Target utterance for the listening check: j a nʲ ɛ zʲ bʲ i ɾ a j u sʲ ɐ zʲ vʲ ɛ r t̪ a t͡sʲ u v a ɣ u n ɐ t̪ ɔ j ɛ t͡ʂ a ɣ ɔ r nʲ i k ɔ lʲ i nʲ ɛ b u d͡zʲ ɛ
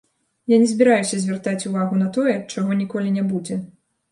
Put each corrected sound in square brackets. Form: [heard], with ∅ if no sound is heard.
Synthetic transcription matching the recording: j a nʲ ɛ zʲ bʲ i ɾ a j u sʲ ɐ zʲ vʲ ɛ r t̪ a t͡sʲ u v a ɣ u n ɐ t̪ ɔ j ɛ t͡ʂ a ɣ ɔ [∅] nʲ i k ɔ lʲ i nʲ ɛ b u d͡zʲ ɛ

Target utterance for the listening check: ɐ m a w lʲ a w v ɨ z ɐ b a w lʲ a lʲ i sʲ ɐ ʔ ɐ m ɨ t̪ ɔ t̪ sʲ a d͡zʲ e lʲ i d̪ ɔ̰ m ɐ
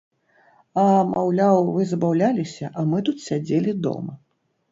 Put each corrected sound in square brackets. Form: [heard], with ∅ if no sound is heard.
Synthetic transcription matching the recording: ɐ m a w lʲ a w v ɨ z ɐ b a w lʲ a lʲ i sʲ ɐ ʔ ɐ m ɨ t̪ [u] t̪ sʲ a d͡zʲ e lʲ i d̪ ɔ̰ m ɐ

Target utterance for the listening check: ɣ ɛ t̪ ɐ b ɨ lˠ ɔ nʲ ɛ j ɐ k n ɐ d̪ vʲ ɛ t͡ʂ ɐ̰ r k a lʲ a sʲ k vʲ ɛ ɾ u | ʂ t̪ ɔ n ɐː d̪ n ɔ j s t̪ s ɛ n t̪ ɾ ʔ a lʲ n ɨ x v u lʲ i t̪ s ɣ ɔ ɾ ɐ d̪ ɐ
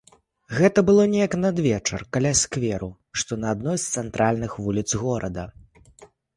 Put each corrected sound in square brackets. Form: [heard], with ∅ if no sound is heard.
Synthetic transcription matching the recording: ɣ ɛ t̪ ɐ b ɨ lˠ ɔ nʲ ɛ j ɐ k n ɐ d̪ vʲ ɛ t͡ʂ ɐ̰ r k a lʲ a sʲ k vʲ ɛ ɾ u | ʂ t̪ ɔ n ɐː d̪ n ɔ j s t̪ s ɛ n t̪ ɾ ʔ a lʲ n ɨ x v u lʲ i t̪ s ɣ ɔ ɾ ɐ d̪ ɐ

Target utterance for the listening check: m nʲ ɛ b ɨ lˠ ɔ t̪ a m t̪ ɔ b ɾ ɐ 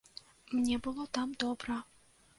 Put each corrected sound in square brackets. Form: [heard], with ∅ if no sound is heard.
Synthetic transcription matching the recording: m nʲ ɛ b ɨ lˠ ɔ t̪ a m [d̪] ɔ b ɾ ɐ

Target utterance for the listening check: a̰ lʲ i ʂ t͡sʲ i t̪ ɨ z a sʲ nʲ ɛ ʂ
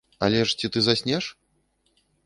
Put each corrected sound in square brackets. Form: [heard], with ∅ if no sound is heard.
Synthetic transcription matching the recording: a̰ lʲ [ɛ] ʂ t͡sʲ i t̪ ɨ z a sʲ nʲ ɛ ʂ

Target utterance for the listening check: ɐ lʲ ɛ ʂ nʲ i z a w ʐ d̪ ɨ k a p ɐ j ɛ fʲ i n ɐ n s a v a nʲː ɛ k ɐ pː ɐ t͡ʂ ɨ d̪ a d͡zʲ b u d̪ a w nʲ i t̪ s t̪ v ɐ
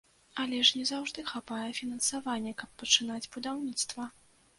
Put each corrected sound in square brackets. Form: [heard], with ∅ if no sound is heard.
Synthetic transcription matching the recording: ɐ lʲ ɛ ʂ nʲ [ɛ] z a w ʐ d̪ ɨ [x] a p [a] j ɛ fʲ i n ɐ n s a v a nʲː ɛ k ɐ pː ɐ t͡ʂ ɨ [n̪] a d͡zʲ b u d̪ a w nʲ i t̪ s t̪ v ɐ

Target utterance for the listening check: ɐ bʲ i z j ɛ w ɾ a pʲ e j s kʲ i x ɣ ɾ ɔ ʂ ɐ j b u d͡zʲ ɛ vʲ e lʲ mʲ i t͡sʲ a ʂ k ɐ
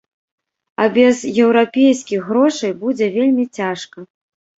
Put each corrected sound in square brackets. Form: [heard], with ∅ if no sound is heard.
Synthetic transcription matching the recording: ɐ bʲ [ɛ] z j ɛ w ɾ a pʲ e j s kʲ i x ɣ ɾ ɔ ʂ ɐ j b u d͡zʲ ɛ vʲ e lʲ mʲ i t͡sʲ a ʂ k ɐ

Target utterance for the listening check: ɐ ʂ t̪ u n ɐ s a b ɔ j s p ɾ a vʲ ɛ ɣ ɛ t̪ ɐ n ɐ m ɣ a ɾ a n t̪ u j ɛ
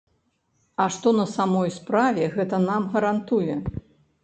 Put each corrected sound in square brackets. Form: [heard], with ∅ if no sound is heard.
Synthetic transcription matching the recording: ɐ ʂ t̪ [ɔ] n ɐ s a [m] ɔ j s p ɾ a vʲ ɛ ɣ ɛ t̪ ɐ n [a] m ɣ [ɐ] ɾ a n t̪ u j ɛ

